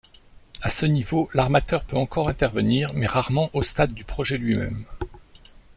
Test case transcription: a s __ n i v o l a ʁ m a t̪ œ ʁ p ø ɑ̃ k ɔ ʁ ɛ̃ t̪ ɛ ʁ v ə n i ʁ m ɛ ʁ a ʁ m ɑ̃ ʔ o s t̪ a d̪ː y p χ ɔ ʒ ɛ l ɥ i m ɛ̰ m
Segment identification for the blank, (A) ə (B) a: A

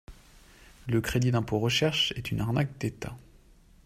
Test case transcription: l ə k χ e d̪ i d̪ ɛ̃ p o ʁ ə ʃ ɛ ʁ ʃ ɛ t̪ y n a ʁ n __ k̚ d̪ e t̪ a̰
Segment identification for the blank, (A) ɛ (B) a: B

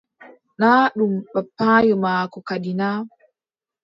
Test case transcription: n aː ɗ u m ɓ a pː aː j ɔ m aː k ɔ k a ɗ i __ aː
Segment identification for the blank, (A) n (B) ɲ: A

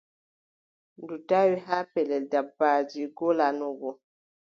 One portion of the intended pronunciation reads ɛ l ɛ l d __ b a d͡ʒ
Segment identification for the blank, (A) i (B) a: B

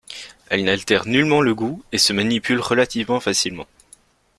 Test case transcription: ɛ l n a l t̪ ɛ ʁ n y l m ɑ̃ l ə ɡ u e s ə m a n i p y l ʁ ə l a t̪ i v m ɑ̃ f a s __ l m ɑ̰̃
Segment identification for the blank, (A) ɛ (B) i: B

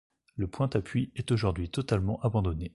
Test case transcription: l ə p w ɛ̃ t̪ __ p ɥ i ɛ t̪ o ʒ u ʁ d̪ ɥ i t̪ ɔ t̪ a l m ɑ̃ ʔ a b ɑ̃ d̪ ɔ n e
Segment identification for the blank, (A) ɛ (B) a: B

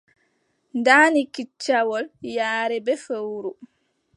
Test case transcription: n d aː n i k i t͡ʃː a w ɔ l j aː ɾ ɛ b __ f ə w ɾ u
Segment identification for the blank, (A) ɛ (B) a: A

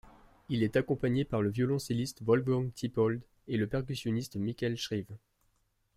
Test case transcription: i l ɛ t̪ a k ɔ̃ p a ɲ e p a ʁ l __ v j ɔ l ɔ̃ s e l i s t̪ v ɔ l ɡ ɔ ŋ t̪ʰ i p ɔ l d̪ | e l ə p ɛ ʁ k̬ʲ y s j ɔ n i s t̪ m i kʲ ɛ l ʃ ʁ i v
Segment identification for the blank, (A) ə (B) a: A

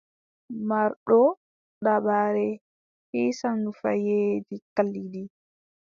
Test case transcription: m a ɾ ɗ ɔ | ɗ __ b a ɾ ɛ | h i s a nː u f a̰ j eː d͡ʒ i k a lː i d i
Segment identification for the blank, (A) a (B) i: A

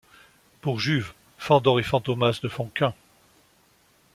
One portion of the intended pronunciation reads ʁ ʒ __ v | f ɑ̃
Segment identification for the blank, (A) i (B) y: B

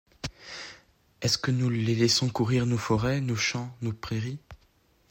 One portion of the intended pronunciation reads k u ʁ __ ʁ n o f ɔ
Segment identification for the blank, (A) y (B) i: B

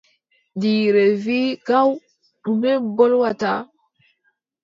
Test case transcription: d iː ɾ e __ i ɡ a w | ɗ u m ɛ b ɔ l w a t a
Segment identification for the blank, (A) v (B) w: A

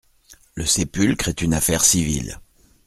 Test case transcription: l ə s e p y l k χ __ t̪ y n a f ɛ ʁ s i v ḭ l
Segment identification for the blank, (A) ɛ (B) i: A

